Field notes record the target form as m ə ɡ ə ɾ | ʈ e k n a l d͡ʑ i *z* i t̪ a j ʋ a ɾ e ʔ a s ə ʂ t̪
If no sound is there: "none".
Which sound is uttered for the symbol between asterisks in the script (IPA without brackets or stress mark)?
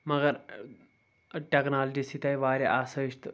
s